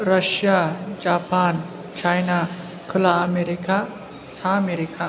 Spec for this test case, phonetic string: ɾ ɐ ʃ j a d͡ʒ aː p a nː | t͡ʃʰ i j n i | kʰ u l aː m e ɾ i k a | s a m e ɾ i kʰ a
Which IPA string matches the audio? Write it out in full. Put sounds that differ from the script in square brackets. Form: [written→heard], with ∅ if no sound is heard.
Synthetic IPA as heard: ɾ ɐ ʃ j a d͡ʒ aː p a [nː→n] | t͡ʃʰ [i→a] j n [i→a] | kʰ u l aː m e ɾ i k a | s a m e ɾ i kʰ a

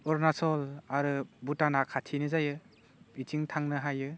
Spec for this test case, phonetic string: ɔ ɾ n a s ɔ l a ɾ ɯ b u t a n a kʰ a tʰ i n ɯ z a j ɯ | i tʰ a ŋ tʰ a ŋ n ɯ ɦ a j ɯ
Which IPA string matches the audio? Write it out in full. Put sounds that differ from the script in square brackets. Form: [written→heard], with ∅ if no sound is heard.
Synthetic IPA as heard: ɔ ɾ n a s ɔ l a ɾ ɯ b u t a n a kʰ a tʰ i n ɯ z a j ɯ | i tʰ [a→i] ŋ tʰ a ŋ n ɯ ɦ a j ɯ

